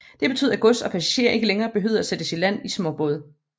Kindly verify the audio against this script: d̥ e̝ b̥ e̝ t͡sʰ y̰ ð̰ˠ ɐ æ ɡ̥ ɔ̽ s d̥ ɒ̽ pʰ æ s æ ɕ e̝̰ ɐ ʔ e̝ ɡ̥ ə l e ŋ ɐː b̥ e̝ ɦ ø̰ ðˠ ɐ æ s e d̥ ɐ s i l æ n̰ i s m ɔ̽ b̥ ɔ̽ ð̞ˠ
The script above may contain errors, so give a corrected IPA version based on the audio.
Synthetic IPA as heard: d̥ e̝ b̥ e̝ t͡sʰ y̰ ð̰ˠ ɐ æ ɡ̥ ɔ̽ s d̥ ɒ̽ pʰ æ s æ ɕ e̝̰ ɐ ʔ e̝ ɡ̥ ə l e ŋ ɐː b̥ e̝ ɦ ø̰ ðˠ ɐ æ s e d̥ ə s i l æ n̰ i s m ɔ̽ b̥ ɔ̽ ð̞ˠ